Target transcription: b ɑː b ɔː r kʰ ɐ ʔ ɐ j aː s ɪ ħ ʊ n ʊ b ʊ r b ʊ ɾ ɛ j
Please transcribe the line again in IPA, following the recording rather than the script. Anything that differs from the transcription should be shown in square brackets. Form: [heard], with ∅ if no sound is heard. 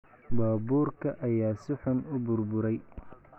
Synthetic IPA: b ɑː b [uː] r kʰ ɐ ʔ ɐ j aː s ɪ ħ ʊ n ʊ b ʊ r b ʊ ɾ ɛ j